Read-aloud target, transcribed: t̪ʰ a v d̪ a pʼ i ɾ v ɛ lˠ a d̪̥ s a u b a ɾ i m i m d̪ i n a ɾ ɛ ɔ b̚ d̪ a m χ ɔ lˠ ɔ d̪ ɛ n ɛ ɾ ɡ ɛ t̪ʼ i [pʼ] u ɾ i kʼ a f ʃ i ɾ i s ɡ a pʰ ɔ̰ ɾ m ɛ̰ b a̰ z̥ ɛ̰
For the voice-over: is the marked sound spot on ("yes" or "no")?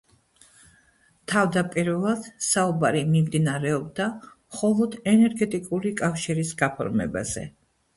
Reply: no